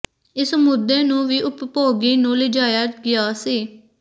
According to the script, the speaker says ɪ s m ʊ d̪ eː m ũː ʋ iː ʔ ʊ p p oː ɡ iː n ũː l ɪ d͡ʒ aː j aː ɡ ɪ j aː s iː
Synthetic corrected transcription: ɪ s m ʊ d̪ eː n ũː ʋ iː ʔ ʊ p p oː ɡ iː n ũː l ɪ d͡ʒ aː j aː ɡ ɪ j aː s iː